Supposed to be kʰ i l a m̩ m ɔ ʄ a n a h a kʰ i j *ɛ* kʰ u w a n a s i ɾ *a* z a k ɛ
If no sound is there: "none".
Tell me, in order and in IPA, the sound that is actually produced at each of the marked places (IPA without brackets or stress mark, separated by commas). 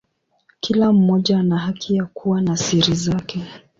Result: a, i